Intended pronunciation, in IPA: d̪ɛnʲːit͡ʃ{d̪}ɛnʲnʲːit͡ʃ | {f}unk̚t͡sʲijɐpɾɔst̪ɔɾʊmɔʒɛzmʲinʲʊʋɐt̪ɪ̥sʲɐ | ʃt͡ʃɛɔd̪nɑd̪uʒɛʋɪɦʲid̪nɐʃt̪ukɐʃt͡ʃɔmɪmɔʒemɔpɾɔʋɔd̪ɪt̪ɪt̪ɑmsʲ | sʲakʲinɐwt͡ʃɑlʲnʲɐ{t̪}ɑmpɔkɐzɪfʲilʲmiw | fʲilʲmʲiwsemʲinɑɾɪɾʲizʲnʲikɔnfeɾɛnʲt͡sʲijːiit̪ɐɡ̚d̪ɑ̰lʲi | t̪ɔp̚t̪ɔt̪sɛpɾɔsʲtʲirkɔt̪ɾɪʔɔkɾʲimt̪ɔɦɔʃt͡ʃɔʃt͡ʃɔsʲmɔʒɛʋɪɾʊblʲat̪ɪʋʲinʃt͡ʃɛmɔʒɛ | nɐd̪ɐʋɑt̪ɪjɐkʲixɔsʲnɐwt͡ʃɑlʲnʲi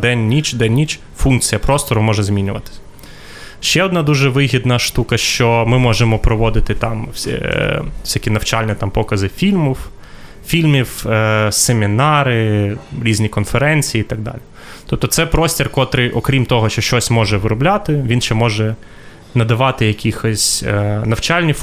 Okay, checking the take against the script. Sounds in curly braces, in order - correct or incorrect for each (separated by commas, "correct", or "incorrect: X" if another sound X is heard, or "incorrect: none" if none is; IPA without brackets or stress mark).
correct, correct, correct